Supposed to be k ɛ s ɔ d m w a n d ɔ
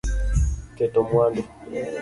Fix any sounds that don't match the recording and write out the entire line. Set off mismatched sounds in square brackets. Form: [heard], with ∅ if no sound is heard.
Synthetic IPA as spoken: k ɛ [t] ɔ [∅] m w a n d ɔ